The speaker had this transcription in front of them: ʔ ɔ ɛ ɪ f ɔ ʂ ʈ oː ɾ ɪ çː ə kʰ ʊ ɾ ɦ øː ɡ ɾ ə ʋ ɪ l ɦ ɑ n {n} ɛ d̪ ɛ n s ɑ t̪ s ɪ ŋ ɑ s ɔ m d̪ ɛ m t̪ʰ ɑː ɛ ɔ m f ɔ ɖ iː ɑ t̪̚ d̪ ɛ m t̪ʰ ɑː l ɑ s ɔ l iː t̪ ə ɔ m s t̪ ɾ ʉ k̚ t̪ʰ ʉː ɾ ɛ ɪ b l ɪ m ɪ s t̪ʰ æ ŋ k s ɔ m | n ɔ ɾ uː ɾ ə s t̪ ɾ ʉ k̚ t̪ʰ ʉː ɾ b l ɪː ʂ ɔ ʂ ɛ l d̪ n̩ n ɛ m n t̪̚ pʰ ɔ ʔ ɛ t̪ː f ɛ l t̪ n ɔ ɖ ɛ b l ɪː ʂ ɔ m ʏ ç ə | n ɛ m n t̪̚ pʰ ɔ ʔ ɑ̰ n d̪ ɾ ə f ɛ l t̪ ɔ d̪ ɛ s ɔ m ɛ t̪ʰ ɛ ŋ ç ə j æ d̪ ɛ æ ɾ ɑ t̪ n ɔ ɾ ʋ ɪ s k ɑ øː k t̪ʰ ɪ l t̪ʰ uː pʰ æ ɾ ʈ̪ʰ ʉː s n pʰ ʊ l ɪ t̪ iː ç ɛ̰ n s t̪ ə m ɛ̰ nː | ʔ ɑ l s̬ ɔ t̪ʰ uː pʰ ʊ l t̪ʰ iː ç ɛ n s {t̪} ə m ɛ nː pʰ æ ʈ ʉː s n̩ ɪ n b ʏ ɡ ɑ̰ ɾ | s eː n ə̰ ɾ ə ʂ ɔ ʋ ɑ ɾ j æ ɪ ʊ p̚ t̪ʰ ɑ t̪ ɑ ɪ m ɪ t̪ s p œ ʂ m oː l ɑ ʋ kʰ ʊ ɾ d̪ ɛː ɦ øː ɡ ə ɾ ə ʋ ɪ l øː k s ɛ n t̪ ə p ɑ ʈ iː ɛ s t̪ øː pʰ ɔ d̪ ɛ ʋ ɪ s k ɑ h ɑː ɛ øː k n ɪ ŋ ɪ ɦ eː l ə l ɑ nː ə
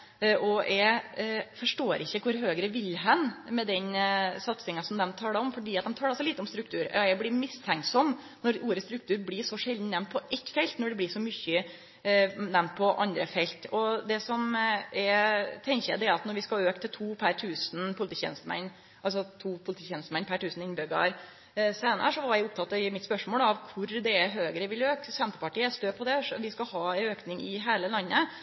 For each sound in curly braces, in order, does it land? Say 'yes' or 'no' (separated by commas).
no, yes